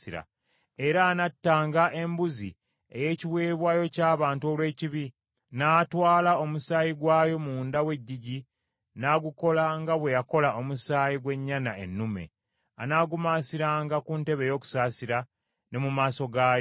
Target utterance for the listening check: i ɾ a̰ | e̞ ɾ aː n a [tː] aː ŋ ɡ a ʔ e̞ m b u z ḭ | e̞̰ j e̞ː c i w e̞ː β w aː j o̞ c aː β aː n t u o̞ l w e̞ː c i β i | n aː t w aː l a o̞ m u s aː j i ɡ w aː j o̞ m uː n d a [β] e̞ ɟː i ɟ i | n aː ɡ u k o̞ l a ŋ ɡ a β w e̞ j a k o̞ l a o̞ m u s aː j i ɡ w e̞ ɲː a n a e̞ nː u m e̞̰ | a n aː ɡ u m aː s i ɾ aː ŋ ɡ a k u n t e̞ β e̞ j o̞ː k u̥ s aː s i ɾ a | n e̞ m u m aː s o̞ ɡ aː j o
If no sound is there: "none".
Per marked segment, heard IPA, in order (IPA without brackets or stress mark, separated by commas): tː, w